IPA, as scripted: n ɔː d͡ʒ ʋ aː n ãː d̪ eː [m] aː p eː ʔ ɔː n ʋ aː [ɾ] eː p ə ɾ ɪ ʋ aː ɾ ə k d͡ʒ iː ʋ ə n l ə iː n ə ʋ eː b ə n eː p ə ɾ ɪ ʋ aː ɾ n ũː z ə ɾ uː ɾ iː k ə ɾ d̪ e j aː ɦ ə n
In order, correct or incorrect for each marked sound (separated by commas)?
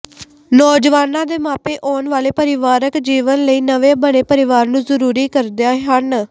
correct, incorrect